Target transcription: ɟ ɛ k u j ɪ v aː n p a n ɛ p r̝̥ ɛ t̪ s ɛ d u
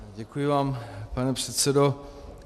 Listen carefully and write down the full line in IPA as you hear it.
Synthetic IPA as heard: ɟ ɛ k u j ɪ v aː m p a n ɛ p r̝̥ ɛ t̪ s ɛ d o

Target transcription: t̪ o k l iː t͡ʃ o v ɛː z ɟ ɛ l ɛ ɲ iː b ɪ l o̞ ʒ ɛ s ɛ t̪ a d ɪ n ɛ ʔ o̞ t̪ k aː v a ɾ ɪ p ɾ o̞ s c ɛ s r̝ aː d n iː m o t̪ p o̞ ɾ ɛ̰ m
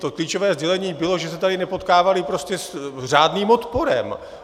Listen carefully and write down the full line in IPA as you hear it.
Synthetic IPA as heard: t̪ o k l iː t͡ʃ o v ɛː z ɟ ɛ l ɛ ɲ iː b ɪ l o̞ ʒ ɛ s ɛ t̪ a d ɪ n ɛ p o̞ t̪ k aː v a l ɪ p ɾ o̞ s c ɛ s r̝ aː d n iː m o t̪ p o̞ ɾ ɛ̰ m

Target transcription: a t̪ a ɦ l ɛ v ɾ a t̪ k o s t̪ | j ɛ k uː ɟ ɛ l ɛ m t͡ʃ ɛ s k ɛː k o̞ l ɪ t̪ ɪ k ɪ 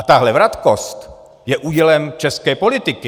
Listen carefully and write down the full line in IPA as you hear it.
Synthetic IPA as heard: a t̪ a ɦ l ɛ v ɾ a t̪ k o s t̪ | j ɛ ʔ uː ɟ ɛ l ɛ m t͡ʃ ɛ s k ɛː p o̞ l ɪ t̪ ɪ k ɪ

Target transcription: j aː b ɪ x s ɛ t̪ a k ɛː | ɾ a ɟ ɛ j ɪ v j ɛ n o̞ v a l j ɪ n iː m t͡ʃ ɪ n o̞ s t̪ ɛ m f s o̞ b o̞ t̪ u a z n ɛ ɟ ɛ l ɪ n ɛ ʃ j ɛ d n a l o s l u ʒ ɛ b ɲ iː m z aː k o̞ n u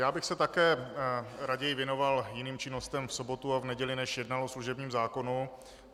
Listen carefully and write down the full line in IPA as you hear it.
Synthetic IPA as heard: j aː b ɪ x s ɛ t̪ a k ɛː | ɾ a ɟ ɛ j ɪ v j ɛ n o̞ v a l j ɪ n iː m t͡ʃ ɪ n o̞ s t̪ ɛ m f s o̞ b o̞ t̪ u a v n ɛ ɟ ɛ l ɪ n ɛ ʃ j ɛ d n a l o s l u ʒ ɛ b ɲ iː m z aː k o̞ n u

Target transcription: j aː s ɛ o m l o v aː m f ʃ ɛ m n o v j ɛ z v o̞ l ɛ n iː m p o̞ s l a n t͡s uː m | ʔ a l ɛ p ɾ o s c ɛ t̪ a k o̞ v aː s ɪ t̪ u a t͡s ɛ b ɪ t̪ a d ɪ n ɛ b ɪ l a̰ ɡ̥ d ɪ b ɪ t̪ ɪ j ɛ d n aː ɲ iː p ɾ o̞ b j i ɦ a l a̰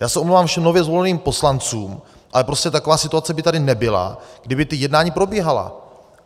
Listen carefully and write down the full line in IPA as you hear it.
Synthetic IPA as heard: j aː s ɛ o m l o v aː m f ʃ ɛ m n o v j ɛ z v o̞ l ɛ n iː m p o̞ s l a n t͡s uː m | ʔ a l ɛ p ɾ o s c ɛ t̪ a k o̞ v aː s ɪ t̪ u a t͡s ɛ b ɪ t̪ a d ɪ n ɛ b ɪ l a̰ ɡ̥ d ɪ b ɪ t̪ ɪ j ɛ d n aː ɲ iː p ɾ o̞ b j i ɦ a l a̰

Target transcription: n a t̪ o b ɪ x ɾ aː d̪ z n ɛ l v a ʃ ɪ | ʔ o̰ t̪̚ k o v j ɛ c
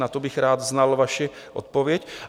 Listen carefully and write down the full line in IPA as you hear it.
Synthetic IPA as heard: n a t̪ o b ɪ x ɾ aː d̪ z n a l v a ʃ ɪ | ʔ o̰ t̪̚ p o v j ɛ c

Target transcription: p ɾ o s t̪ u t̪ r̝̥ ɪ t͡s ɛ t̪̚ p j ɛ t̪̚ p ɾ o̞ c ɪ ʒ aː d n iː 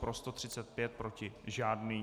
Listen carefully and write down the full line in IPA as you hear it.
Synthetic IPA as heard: p ɾ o s t̪ o t̪ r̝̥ ɪ t͡s ɛ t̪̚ p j ɛ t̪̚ p ɾ o̞ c ɪ ʒ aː d n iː

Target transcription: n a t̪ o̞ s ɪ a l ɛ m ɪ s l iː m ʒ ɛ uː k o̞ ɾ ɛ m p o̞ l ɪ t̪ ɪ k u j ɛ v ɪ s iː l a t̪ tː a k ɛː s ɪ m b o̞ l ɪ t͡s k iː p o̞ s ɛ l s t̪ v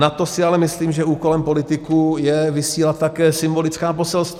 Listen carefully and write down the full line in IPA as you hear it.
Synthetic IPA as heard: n a t̪ o̞ s ɪ a l ɛ m ɪ s l iː m ʒ ɛ uː k o̞ l ɛ m p o̞ l ɪ t̪ ɪ k u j ɛ v ɪ s iː l a t̪ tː a k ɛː s ɪ m b o̞ l ɪ t͡s k aː p o̞ s ɛ l s t̪ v

